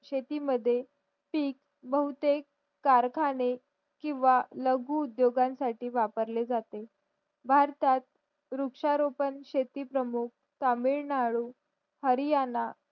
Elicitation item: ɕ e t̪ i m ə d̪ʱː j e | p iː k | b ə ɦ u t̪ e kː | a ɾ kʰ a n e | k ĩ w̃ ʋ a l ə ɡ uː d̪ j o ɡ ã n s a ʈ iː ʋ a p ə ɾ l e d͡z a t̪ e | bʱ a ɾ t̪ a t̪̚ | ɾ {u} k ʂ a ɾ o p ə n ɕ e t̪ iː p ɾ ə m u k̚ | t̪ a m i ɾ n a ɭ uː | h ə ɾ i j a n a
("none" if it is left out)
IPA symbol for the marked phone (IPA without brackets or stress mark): u